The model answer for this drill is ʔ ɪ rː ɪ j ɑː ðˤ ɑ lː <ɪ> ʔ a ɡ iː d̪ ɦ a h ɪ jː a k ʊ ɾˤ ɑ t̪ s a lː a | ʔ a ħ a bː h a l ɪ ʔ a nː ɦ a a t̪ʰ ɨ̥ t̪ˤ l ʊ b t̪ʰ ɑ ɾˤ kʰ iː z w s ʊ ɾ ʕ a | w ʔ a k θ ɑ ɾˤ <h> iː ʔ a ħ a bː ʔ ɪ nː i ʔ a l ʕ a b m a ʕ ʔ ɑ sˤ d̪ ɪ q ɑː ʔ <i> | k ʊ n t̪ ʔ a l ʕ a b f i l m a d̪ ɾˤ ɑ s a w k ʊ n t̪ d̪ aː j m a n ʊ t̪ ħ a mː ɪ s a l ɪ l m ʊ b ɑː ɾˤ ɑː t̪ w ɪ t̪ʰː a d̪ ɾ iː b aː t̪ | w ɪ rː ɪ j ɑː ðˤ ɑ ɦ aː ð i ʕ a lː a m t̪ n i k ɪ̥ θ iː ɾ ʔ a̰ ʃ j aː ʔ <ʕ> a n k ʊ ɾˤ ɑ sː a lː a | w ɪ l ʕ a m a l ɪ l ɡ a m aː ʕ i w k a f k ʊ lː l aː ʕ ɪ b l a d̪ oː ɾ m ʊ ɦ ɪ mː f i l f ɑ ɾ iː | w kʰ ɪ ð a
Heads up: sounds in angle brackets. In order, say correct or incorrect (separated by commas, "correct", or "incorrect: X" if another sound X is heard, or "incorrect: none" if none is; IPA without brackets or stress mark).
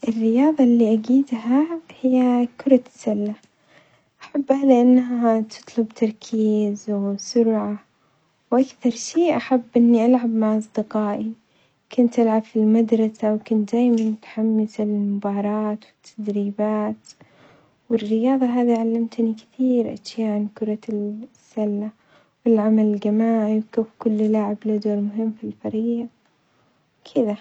incorrect: i, incorrect: ʃ, correct, correct